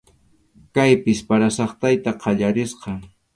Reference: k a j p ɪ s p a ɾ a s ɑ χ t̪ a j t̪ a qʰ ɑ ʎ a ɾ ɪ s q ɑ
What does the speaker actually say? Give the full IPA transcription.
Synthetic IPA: k a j p ɪ s p a ɾ a s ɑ χ t̪ a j t̪ a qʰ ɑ ʎ a ɾ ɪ s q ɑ